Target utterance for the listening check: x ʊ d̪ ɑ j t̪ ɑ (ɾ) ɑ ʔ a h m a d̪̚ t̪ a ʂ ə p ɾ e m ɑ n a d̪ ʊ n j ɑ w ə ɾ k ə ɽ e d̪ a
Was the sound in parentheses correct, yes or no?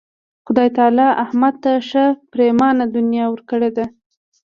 no